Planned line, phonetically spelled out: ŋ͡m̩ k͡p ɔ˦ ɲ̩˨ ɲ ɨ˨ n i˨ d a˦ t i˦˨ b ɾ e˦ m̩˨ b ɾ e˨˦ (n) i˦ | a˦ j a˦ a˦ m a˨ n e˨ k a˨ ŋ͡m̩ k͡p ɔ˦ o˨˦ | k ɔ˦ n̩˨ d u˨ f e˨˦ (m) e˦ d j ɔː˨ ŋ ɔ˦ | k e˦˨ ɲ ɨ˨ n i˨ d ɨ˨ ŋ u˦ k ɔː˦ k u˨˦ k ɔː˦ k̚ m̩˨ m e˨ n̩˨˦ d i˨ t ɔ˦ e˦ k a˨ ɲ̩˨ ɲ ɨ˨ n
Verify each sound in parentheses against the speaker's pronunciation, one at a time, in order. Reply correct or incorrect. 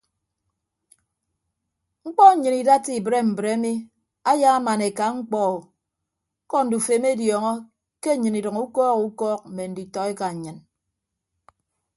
incorrect: m, correct

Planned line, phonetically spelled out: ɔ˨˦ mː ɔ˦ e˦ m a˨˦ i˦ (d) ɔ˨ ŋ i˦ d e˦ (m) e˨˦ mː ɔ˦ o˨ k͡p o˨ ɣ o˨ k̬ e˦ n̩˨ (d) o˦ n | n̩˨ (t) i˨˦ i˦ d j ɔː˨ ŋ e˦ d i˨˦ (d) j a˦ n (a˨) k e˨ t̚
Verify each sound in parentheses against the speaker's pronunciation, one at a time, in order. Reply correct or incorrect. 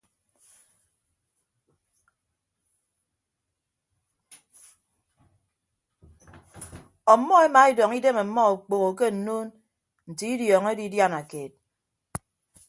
correct, correct, incorrect: n, correct, correct, correct

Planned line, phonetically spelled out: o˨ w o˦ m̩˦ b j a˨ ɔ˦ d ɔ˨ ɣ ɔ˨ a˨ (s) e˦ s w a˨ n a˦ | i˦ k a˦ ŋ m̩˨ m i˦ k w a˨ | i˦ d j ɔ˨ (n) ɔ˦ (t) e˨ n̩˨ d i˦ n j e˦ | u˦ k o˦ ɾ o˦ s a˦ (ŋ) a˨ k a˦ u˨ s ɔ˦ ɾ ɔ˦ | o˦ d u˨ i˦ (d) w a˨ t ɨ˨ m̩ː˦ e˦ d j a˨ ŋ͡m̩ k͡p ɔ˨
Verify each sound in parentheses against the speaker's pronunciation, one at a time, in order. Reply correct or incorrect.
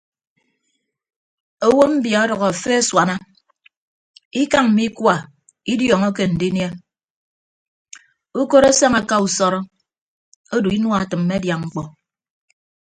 incorrect: f, incorrect: ŋ, incorrect: k, correct, incorrect: n

